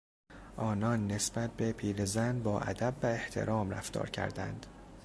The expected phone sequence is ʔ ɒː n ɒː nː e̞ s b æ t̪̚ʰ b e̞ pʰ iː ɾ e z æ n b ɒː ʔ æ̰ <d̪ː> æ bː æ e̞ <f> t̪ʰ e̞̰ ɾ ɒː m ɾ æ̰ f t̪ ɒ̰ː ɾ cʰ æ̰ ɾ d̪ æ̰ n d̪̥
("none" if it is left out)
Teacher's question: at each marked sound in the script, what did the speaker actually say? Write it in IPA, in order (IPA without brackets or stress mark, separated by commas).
d̪, h